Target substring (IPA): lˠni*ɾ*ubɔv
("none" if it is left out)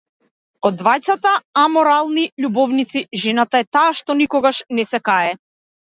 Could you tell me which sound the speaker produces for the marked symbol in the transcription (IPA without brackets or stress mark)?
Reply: ʎ